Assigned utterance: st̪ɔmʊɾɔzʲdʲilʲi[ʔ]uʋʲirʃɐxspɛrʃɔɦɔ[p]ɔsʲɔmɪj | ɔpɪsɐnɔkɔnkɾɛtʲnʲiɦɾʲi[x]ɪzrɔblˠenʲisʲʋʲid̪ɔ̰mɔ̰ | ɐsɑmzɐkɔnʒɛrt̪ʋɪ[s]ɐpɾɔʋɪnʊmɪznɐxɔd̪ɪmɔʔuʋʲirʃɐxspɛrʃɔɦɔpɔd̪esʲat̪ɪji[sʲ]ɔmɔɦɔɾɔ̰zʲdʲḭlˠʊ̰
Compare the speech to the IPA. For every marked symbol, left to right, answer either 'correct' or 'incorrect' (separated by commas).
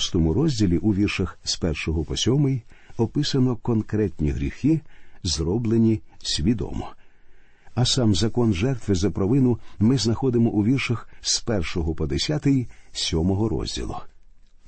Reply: correct, correct, correct, incorrect, correct